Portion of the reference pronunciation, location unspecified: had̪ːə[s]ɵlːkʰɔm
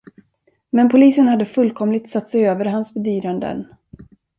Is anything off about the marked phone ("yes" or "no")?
yes